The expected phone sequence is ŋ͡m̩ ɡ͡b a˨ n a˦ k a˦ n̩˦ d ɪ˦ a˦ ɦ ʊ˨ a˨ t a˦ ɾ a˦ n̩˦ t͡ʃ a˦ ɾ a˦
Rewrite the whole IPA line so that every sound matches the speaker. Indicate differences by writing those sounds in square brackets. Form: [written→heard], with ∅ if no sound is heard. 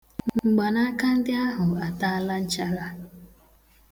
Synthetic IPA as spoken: ŋ͡m̩ ɡ͡b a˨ n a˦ k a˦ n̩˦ d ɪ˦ a˦ ɦ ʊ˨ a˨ t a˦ [ɾ→l] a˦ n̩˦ t͡ʃ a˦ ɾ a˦